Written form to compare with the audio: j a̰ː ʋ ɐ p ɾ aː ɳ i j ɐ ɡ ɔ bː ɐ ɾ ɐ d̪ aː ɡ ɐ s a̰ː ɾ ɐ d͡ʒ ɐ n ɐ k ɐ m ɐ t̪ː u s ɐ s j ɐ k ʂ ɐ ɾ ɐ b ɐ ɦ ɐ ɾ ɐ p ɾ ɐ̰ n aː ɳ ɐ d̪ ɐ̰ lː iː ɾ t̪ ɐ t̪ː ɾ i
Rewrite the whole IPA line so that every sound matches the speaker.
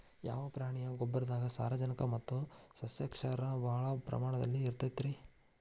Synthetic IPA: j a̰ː ʋ ɐ p ɾ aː ɳ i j ɐ ɡ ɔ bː ɐ ɾ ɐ d̪ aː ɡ ɐ s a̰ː ɾ ɐ d͡ʒ ɐ n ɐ k ɐ m ɐ t̪ː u s ɐ s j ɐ k ʂ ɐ ɾ ɐ b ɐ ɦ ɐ ɭ ɐ p ɾ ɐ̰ m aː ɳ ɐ d̪ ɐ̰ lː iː ɾ t̪ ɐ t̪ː ɾ i